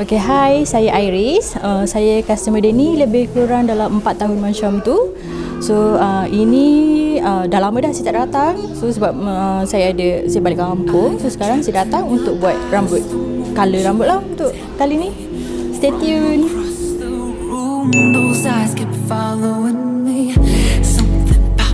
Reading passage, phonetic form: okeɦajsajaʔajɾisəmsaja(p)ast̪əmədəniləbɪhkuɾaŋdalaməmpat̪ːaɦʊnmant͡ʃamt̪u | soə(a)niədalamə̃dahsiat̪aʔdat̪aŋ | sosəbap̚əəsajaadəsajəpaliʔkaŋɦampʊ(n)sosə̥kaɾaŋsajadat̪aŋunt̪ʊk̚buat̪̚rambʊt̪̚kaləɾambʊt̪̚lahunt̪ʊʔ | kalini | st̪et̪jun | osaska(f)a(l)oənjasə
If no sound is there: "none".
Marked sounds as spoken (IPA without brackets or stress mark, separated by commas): k, i, ŋ, f, l